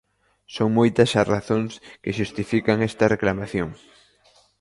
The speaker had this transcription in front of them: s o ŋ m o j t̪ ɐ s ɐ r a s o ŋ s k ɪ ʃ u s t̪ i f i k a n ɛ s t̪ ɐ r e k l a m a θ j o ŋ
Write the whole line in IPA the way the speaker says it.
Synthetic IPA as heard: s o ŋ m o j t̪ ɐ s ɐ r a θ o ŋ s k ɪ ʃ u s t̪ i f i k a ŋ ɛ s t̪ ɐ r e k l a m a θ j o ŋ

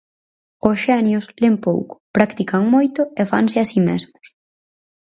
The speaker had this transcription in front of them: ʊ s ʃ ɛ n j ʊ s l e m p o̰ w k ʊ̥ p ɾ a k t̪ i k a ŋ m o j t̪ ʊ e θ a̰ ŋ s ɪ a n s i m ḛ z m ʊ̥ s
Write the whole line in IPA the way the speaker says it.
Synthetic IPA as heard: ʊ s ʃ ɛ n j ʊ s l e m p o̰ w k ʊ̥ p ɾ a k t̪ i k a ŋ m o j t̪ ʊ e f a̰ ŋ s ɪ a s i m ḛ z m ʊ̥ s

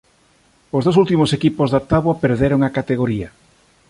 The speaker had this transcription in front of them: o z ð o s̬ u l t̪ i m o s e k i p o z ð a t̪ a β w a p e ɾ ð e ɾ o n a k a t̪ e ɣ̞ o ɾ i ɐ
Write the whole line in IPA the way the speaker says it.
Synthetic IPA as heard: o z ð o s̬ u l t̪ i m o s e k i p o z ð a t̪ a β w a p e ɾ ð e ɾ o ŋ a k a t̪ e ɣ̞ o ɾ i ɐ

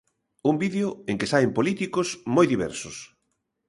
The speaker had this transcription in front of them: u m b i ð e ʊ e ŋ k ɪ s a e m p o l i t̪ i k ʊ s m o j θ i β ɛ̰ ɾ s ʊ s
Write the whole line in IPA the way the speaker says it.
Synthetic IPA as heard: u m b i ð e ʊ e ŋ k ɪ s a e m p o l i t̪ i k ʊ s m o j ð i β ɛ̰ ɾ s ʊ s

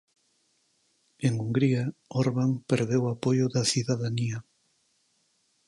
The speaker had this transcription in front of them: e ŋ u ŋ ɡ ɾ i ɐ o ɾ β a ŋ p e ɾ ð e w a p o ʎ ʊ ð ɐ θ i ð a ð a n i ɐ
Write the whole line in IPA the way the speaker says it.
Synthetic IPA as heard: e ŋ u ŋ ɡ ɾ i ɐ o ɾ β a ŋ p e ɾ ð e w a p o j ʊ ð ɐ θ i ð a ð a n i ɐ

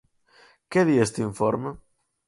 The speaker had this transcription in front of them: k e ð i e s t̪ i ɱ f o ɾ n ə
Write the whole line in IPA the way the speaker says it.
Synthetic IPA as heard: k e ð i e s t̪ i ɱ f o ɾ m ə

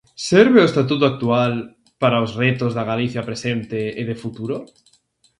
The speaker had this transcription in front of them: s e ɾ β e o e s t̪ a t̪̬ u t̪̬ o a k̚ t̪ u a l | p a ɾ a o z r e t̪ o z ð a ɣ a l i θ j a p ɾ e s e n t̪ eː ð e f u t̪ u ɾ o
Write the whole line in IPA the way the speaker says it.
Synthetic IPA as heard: s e ɾ β e o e s t̪ a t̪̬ u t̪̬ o a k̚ t̪ u a l | p a ɾ a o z r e t̪ o z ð a ɣ a l i θ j a p ɾ e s e n t̪ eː ð e f u t̪ u ɾ o

